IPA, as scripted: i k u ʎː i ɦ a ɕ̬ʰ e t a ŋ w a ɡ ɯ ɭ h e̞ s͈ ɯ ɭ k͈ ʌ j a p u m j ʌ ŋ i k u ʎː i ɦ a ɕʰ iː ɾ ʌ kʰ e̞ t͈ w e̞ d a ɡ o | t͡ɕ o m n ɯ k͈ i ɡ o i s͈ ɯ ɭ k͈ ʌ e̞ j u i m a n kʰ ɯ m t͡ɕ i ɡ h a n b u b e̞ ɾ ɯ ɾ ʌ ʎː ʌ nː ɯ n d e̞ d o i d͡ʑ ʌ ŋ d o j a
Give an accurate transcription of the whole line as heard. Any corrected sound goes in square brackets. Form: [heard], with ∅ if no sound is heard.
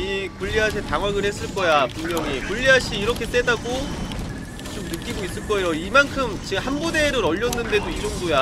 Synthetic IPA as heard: i k u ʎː i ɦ a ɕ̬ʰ e t a ŋ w a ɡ ɯ ɭ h e̞ s͈ ɯ ɭ k͈ ʌ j a p u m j ʌ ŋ i k u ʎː i ɦ a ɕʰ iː ɾ ʌ kʰ e̞ t͈ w e̞ d a ɡ o | t͡ɕ o m n ɯ k͈ i ɡ o i s͈ ɯ ɭ k͈ ʌ e̞ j [o] i m a n kʰ ɯ m t͡ɕ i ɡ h a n b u [d] e̞ ɾ ɯ ɾ ʌ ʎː ʌ nː ɯ n d e̞ d o i d͡ʑ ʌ ŋ d o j a